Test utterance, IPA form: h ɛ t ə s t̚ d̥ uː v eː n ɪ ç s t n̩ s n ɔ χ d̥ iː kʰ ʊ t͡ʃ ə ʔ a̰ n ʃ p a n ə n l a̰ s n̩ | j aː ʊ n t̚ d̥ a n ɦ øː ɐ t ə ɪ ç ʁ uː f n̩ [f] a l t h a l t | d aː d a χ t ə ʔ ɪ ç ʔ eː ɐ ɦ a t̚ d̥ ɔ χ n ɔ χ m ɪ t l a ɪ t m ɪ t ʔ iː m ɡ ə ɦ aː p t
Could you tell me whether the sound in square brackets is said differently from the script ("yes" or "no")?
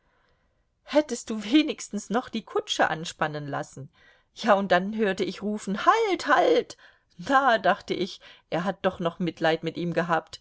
yes